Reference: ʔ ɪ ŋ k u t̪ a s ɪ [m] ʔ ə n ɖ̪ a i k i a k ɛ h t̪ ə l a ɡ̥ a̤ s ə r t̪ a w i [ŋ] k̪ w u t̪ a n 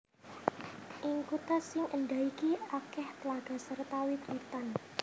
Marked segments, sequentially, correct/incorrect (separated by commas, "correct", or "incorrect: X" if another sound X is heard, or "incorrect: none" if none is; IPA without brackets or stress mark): incorrect: ŋ, incorrect: none